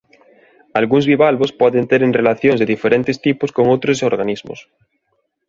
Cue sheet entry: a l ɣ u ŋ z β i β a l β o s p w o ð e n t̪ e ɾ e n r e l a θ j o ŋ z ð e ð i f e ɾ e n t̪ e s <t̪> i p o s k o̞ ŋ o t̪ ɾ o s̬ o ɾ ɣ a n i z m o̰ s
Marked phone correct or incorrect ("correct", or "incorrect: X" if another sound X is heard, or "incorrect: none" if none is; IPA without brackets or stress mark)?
correct